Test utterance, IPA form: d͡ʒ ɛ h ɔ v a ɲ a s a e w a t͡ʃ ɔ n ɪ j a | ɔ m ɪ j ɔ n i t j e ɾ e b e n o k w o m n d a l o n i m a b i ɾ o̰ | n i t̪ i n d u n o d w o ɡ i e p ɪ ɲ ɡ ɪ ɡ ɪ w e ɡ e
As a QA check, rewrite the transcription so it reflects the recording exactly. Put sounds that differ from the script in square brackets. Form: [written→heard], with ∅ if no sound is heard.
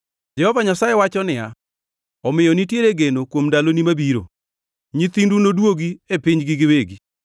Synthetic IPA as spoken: d͡ʒ ɛ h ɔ v a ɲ a s a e w a t͡ʃ ɔ n ɪ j a | ɔ m ɪ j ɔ n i t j e ɾ e [b→ɡ] e n o k w o m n d a l o n i m a b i ɾ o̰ | [n→ɲ] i t̪ i n d u n o d w o ɡ i e p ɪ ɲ ɡ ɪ ɡ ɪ w e ɡ [e→i]